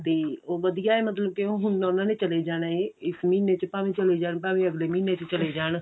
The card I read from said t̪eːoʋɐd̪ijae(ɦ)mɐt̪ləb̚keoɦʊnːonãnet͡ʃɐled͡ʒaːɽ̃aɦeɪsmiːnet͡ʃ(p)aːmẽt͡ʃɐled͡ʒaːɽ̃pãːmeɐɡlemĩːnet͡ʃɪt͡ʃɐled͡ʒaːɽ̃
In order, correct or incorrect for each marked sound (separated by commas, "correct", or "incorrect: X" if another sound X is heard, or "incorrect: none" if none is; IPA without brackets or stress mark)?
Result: incorrect: none, correct